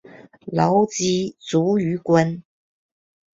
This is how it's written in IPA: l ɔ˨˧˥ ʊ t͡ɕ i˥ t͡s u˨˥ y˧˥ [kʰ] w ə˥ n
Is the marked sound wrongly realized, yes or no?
yes